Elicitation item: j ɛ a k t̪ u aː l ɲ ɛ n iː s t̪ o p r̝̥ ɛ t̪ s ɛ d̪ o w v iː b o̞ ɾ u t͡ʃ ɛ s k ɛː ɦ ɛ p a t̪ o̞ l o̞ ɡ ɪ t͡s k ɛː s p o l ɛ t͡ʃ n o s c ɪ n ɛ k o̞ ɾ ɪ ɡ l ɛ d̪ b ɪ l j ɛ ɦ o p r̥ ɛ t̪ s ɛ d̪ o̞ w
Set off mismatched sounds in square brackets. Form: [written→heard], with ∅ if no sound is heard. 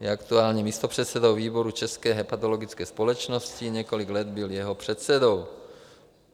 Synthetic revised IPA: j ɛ a k t̪ u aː l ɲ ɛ [n→m] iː s t̪ o p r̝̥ ɛ t̪ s ɛ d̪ o w v iː b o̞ ɾ u t͡ʃ ɛ s k ɛː ɦ ɛ p a t̪ o̞ l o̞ ɡ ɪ t͡s k ɛː s p o l ɛ t͡ʃ n o s c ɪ [n→ɲ] ɛ k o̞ [ɾ→l] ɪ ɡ l ɛ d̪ b ɪ l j ɛ ɦ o p r̥ ɛ t̪ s ɛ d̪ o̞ w